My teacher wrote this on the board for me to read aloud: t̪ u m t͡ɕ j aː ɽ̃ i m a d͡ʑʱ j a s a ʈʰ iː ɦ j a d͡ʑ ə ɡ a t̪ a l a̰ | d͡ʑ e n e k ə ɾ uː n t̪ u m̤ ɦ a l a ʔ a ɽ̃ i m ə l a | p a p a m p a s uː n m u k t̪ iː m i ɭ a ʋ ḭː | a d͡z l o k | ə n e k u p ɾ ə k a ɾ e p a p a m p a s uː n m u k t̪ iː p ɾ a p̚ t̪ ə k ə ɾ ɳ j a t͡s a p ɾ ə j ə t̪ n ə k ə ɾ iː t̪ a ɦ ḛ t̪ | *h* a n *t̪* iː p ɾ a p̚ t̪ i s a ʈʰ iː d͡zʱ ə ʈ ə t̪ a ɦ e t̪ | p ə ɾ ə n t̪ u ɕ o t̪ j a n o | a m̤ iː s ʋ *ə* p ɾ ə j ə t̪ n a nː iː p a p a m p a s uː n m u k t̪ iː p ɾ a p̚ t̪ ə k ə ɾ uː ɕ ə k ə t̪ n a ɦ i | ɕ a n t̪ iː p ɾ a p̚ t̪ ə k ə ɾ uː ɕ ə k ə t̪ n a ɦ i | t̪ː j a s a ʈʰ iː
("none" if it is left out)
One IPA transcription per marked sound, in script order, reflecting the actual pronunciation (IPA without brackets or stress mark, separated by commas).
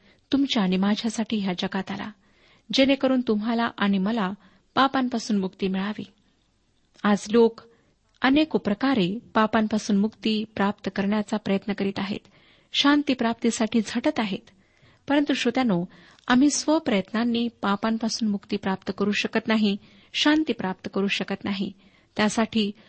ɕ, t̪, ə